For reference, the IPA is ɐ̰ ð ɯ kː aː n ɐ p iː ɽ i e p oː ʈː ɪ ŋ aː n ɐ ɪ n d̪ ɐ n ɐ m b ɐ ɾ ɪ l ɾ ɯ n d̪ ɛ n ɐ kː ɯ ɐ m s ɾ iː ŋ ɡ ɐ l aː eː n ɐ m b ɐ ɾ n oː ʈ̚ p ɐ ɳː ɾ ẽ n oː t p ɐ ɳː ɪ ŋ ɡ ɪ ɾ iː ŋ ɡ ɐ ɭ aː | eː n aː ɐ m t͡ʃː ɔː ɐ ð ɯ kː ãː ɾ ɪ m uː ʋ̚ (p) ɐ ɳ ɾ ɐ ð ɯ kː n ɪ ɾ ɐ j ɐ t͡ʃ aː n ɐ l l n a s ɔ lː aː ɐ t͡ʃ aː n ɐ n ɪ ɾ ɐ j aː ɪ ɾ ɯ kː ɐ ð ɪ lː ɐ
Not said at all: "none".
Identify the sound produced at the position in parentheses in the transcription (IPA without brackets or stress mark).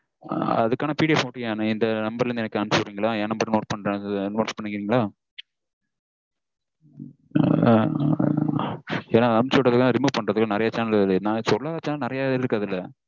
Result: p